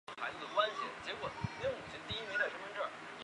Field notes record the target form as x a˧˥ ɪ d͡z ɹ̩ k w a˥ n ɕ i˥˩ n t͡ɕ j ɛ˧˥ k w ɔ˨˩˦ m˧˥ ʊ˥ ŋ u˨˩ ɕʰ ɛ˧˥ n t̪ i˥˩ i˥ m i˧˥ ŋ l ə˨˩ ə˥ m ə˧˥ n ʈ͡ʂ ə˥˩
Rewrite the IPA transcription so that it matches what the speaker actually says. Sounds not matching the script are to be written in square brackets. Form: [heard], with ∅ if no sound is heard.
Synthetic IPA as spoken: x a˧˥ ɪ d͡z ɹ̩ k w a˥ n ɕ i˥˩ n t͡ɕ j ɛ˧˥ k w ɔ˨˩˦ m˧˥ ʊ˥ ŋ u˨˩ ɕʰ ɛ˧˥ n t̪ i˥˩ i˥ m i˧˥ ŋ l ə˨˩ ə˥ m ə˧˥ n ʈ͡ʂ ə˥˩

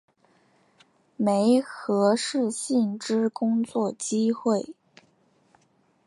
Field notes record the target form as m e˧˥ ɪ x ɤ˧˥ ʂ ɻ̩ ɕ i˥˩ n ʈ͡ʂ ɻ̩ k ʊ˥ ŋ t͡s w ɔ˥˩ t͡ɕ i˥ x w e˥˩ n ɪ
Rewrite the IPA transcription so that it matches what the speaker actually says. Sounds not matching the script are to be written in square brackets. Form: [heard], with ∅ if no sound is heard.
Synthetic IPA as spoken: m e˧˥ ɪ x ɤ˧˥ ʂ ɻ̩ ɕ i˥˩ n ʈ͡ʂ ɻ̩ k ʊ˥ ŋ t͡s w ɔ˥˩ t͡ɕ i˥ x w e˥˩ [∅] ɪ

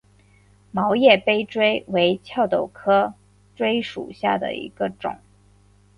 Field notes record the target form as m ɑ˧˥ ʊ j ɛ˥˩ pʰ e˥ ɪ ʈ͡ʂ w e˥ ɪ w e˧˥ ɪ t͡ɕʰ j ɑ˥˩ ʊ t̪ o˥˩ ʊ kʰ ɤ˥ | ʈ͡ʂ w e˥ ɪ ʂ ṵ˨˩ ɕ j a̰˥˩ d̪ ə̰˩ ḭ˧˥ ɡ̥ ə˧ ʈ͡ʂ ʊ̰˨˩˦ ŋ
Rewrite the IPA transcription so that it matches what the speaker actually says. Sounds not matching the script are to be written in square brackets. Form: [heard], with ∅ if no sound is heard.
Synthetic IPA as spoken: m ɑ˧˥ ʊ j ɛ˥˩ [p] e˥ ɪ ʈ͡ʂ w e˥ ɪ w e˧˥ ɪ t͡ɕʰ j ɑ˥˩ ʊ t̪ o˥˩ ʊ kʰ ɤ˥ | ʈ͡ʂ w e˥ ɪ ʂ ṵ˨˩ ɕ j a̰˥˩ d̪ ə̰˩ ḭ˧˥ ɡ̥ ə˧ ʈ͡ʂ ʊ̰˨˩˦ ŋ

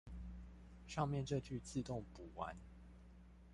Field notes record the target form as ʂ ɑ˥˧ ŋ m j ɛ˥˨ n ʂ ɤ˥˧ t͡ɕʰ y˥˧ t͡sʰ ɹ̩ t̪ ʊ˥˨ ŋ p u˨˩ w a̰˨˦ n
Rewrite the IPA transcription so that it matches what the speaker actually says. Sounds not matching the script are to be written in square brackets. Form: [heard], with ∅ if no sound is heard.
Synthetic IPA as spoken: ʂ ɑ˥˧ ŋ m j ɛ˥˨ n [ʈ͡ʂ] ɤ˥˧ [t͡ɕ] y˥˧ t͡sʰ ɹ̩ t̪ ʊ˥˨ ŋ p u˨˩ w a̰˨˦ n

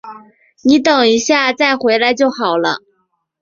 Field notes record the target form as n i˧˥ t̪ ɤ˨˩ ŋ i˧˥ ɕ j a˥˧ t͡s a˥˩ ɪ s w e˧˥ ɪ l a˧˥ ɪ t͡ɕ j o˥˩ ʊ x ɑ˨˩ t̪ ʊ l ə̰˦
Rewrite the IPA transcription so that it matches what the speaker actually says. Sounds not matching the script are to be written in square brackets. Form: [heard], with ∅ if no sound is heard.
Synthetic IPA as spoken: n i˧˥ t̪ ɤ˨˩ ŋ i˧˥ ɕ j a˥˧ t͡s a˥˩ ɪ [x] w e˧˥ ɪ l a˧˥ ɪ t͡ɕ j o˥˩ ʊ x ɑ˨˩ [∅] ʊ l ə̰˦

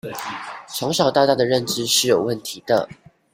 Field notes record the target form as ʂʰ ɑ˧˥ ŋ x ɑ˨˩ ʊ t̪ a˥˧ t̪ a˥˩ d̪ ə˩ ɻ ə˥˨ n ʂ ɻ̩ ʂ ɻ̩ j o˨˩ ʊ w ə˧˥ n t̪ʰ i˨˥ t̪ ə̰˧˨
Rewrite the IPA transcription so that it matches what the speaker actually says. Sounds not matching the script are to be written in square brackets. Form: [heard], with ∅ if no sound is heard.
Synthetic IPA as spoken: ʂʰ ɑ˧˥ ŋ [ʂ] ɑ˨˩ ʊ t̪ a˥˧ t̪ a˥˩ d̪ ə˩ ɻ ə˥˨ n [ʈ͡ʂ] ɻ̩ ʂ ɻ̩ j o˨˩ ʊ w [ə˥˩] n t̪ʰ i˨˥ [d̪] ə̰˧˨

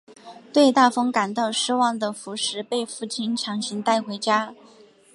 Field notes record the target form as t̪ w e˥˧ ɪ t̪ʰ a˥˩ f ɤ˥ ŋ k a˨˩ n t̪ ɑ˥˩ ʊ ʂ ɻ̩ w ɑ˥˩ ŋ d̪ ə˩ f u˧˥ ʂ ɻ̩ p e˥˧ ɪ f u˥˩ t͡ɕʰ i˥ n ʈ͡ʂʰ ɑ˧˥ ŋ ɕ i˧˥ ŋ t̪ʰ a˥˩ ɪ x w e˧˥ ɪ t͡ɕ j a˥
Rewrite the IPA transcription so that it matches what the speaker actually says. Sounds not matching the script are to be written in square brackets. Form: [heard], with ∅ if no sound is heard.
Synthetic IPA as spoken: t̪ w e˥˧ ɪ [t̪] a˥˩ f ɤ˥ ŋ k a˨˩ n t̪ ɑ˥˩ ʊ ʂ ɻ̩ w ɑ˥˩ ŋ d̪ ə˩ f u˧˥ ʂ ɻ̩ p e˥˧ ɪ f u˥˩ t͡ɕʰ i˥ n ʈ͡ʂʰ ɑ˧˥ ŋ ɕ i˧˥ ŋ [t̪] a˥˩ ɪ x w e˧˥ ɪ t͡ɕ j a˥

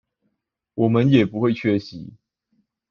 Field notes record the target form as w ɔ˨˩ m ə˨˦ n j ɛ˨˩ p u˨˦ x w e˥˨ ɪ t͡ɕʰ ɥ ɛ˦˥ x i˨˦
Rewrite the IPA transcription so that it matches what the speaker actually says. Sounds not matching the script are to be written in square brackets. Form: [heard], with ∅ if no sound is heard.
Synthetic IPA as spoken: w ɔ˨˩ m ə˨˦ n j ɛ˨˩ p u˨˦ x w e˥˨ ɪ t͡ɕʰ ɥ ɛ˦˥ [ɕ] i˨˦

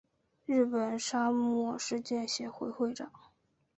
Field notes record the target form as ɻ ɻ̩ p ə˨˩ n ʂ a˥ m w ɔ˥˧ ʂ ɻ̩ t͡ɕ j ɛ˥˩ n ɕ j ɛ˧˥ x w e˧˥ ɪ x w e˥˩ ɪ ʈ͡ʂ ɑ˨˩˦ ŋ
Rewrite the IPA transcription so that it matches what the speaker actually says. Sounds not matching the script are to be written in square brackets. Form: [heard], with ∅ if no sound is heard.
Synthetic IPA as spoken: ɻ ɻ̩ p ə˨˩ n ʂ a˥ m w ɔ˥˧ ʂ ɻ̩ t͡ɕ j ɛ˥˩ n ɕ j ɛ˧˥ x w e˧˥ ɪ x w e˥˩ ɪ ʈ͡ʂ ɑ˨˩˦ ŋ

